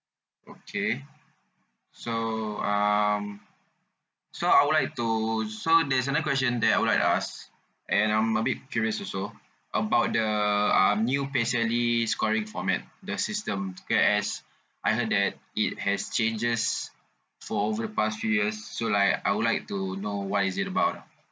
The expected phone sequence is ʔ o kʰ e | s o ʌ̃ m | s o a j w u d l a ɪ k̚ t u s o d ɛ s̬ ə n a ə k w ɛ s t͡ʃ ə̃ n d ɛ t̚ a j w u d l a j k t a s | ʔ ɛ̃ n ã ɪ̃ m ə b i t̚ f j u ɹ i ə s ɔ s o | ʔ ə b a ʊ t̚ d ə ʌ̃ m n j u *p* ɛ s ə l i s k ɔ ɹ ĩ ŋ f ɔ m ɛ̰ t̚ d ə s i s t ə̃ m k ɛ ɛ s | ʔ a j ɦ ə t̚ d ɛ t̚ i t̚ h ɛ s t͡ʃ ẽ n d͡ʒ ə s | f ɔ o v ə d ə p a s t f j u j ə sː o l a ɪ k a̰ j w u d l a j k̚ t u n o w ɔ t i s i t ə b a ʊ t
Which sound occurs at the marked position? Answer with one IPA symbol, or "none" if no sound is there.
p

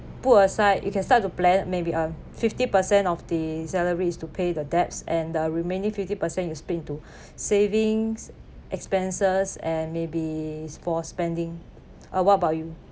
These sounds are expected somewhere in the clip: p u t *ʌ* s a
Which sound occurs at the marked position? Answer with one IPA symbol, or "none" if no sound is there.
ə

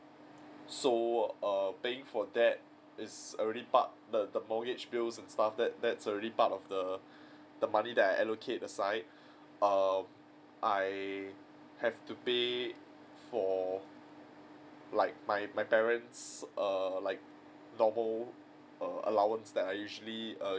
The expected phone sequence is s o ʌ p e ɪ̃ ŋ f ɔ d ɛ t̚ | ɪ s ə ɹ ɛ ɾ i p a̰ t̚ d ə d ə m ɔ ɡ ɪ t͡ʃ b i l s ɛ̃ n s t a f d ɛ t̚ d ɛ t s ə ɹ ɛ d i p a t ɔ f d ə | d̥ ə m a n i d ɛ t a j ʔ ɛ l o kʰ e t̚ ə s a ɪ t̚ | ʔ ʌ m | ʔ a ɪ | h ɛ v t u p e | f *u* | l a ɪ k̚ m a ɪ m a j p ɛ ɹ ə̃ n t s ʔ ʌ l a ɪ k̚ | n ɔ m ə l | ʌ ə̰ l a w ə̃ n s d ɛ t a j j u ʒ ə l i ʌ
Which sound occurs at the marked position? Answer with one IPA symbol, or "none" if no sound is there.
ɔ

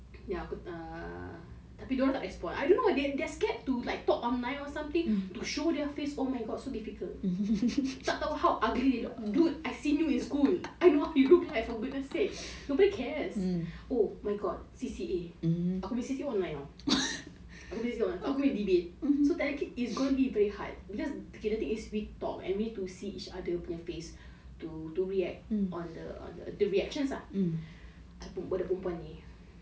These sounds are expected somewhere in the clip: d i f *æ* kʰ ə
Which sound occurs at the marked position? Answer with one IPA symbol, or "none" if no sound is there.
i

